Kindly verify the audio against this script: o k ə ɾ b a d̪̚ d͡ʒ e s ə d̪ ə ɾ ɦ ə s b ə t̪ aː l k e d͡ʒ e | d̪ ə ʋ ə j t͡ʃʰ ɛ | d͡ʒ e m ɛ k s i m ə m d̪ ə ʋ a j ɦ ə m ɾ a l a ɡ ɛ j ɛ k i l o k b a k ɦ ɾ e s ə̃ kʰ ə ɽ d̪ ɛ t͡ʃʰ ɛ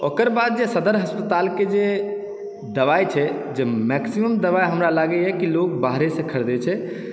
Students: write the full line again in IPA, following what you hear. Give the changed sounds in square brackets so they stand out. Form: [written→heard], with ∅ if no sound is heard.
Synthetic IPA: o k ə ɾ b a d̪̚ d͡ʒ e s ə d̪ ə ɾ ɦ ə s [b→p] ə t̪ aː l k e d͡ʒ e | d̪ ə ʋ [ə→a] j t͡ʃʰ ɛ | d͡ʒ e m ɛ k s i m ə m d̪ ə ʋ a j ɦ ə m ɾ a l a ɡ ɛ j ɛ k i l o k b a [k→∅] ɦ ɾ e s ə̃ kʰ ə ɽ d̪ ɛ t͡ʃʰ ɛ